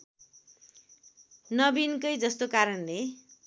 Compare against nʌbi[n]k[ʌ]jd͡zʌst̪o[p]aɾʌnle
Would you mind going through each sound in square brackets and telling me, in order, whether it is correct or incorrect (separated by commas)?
correct, correct, incorrect